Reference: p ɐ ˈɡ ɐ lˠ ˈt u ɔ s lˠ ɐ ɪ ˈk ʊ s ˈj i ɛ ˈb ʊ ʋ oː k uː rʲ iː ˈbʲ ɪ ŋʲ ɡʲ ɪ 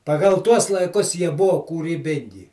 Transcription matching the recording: p ɐ ˈɡ ɐ lˠ ˈt u ɔ s lˠ ɐ ɪ ˈk ʊ s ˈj i ɛ ˈb ʊ ʋ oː k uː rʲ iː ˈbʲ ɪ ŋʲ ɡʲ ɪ